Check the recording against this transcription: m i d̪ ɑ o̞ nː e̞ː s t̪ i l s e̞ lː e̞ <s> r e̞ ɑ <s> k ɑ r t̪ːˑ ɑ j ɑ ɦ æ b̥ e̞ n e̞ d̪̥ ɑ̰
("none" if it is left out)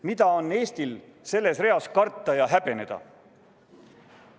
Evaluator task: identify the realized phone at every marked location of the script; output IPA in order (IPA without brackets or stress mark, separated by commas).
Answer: s, s